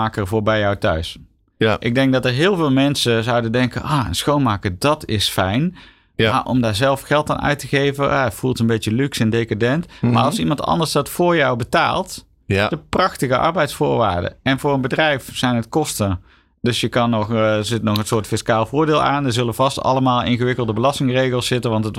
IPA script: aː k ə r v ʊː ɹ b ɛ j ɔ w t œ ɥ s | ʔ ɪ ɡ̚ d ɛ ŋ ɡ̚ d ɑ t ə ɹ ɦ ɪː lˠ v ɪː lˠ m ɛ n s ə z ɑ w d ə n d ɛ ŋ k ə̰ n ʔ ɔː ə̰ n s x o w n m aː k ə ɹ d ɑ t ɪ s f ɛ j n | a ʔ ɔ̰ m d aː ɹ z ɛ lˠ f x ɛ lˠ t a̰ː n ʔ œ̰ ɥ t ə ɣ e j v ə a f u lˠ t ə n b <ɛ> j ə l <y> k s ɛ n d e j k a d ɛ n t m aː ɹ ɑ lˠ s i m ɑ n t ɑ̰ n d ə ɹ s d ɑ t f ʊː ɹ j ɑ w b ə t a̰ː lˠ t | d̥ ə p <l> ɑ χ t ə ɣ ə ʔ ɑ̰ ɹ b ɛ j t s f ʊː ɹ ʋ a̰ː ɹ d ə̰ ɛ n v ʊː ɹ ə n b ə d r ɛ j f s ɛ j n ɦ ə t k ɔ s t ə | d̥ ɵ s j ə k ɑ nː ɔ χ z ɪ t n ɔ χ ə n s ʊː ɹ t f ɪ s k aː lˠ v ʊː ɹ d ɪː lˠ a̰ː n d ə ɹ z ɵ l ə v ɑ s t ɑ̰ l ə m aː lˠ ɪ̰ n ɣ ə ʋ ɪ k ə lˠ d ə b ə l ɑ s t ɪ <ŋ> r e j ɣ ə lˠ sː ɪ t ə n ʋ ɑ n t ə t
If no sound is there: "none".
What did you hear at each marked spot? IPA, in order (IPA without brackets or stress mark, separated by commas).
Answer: e, y, r, ŋ